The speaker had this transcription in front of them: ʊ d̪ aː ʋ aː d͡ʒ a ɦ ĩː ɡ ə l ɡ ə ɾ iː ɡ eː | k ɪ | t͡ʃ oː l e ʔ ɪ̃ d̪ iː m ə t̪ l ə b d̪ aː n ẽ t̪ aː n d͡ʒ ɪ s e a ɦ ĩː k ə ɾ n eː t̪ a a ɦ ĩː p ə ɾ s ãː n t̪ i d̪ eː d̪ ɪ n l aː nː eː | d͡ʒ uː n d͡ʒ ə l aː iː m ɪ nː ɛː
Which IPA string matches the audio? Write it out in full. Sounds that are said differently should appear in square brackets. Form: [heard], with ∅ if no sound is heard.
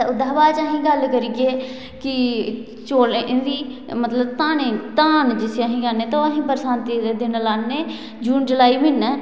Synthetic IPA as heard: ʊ d̪ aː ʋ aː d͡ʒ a ɦ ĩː ɡ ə l [k] ə ɾ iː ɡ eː | k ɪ | t͡ʃ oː l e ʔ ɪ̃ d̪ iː m ə t̪ l ə b [t̪] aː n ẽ t̪ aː n d͡ʒ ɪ s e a ɦ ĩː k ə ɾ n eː t̪ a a ɦ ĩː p ə ɾ s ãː n t̪ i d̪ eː d̪ ɪ n l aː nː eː | d͡ʒ uː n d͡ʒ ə l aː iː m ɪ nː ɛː